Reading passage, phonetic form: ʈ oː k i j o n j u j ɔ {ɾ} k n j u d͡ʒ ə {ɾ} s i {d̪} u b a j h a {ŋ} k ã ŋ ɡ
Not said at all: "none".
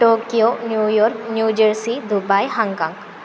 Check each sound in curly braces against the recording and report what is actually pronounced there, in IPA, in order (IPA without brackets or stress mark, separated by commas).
ɾ, ɾ, d̪, ŋ